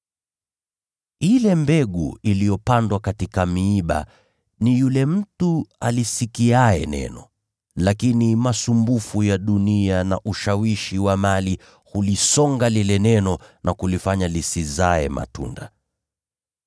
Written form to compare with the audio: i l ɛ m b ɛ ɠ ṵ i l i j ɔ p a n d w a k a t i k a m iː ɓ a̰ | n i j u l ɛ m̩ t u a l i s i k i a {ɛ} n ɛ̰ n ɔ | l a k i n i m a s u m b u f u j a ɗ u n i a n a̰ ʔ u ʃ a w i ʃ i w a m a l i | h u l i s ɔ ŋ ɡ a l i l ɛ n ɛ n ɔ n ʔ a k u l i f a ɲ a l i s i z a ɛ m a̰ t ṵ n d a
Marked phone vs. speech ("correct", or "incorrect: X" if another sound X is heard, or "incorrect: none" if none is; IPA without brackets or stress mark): correct